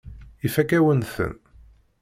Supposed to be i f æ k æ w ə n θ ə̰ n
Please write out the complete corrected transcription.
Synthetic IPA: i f æ k æ w ə n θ ə̰ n